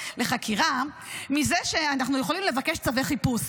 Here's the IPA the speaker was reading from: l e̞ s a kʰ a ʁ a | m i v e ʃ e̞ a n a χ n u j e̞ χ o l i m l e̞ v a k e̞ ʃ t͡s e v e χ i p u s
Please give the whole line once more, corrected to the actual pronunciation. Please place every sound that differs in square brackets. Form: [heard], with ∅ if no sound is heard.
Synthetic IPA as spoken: l e̞ [χ] a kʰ [i] ʁ a | m i [z] e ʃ e̞ a n a χ n u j e̞ χ o l i m l e̞ v a k e̞ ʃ t͡s [a] v e χ i p u s